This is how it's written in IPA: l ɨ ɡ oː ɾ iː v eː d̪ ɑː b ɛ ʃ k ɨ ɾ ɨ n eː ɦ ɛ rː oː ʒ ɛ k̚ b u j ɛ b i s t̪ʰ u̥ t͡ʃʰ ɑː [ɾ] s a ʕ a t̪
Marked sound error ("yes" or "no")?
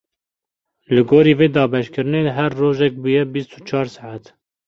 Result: no